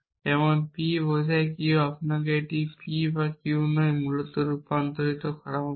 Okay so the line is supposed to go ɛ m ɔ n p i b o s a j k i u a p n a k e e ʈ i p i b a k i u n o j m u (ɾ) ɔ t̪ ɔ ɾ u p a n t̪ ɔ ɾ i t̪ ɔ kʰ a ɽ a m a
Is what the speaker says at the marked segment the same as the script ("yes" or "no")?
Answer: no